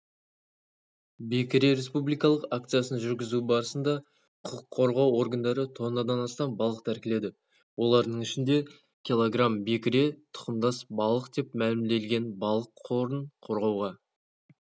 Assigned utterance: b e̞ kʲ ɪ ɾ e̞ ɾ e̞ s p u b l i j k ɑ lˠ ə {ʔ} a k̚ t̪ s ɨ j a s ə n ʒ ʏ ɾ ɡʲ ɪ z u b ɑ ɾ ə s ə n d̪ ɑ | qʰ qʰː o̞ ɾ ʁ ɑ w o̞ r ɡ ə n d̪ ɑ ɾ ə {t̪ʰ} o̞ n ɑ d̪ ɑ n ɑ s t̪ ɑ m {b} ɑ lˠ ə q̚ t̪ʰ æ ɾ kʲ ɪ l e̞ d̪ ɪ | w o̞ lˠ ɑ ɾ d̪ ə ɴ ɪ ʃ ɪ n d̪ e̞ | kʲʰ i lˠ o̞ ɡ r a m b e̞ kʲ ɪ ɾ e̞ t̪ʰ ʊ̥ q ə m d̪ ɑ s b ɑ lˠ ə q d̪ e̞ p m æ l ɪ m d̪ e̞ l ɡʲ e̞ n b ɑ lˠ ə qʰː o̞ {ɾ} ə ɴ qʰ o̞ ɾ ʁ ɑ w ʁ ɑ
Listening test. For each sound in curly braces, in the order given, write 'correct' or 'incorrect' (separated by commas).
incorrect, correct, correct, correct